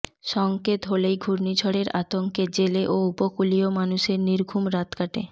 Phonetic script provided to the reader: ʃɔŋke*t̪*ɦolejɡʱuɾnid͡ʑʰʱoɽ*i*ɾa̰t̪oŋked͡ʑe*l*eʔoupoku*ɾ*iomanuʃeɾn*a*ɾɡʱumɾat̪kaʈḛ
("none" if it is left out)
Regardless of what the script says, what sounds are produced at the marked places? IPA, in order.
t̪, e, l, l, i

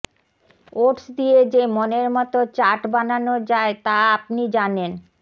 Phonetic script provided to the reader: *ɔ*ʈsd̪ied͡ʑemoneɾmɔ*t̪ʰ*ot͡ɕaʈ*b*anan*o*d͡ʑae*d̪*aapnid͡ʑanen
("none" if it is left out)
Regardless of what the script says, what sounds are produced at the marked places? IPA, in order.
o, t̪, b, o, t̪

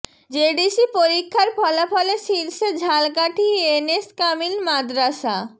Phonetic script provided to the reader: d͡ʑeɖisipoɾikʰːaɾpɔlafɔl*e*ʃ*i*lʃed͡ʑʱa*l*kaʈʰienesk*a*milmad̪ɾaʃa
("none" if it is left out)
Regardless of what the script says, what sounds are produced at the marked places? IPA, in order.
e, i, l, a

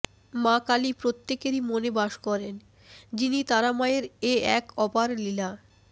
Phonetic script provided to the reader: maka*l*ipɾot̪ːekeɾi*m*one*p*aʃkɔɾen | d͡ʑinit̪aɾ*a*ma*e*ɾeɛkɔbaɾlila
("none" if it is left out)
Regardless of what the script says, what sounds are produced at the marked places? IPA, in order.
l, m, b, a, e

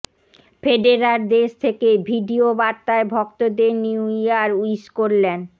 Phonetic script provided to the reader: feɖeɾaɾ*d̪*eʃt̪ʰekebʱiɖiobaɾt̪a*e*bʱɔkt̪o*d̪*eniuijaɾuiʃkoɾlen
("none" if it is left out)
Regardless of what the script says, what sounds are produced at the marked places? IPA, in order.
d̪, e, d̪

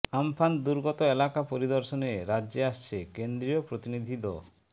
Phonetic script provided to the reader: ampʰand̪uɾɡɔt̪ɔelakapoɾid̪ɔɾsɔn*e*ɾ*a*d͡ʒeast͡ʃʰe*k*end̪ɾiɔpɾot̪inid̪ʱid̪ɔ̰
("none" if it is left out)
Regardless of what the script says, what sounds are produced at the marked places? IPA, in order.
e, a, k

